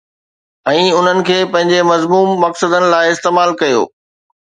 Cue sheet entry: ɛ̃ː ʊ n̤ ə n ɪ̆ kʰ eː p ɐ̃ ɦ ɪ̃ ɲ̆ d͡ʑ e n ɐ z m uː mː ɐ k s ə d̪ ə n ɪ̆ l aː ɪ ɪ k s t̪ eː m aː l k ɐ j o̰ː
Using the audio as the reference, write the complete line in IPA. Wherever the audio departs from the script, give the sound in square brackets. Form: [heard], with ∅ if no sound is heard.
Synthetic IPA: ɛ̃ː ʊ n̤ ə n ɪ̆ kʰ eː p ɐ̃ ɦ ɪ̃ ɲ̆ d͡ʑ e [m] ɐ z m uː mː ɐ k s ə d̪ ə n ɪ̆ l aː ɪ ɪ [∅] s t̪ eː m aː l k ɐ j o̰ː